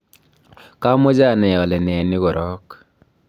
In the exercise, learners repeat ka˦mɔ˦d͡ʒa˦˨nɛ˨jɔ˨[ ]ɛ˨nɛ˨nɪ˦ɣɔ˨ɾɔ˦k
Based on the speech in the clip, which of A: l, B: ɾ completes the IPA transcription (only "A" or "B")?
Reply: A